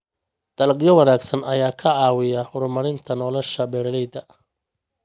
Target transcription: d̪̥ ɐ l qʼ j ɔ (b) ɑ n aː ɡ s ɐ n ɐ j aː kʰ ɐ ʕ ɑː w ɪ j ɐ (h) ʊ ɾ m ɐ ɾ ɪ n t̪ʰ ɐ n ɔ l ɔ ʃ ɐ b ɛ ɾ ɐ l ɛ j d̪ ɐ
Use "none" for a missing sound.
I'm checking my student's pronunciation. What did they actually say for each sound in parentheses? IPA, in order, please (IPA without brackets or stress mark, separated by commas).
w, h